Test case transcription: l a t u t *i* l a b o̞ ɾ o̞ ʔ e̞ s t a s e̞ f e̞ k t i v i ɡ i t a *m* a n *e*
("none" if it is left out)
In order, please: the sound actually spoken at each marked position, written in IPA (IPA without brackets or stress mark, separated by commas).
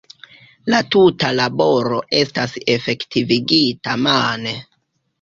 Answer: a, m, e